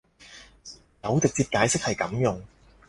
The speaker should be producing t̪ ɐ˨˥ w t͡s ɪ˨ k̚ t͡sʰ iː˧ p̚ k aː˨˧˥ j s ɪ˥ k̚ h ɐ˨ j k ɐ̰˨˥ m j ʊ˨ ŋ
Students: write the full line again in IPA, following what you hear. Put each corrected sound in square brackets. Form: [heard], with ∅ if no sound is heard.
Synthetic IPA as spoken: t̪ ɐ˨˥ w t͡s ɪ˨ k̚ [t͡s] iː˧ p̚ k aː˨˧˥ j s ɪ˥ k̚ h ɐ˨ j k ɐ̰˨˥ m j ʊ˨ ŋ